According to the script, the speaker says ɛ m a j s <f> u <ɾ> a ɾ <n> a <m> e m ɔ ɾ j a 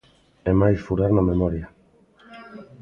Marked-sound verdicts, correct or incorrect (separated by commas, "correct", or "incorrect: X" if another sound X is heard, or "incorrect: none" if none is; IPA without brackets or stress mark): correct, correct, correct, correct